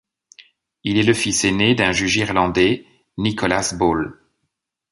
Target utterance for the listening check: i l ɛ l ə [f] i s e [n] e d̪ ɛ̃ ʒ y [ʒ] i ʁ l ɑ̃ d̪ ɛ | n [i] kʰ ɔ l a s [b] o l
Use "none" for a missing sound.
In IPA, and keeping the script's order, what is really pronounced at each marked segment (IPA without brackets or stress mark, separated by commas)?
f, n, ʒ, i, b